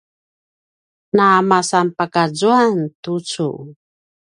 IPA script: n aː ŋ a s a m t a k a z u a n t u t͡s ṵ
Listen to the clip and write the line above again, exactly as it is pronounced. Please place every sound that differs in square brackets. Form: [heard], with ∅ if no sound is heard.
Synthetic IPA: n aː [m] a s a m [p] a k a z u a n t u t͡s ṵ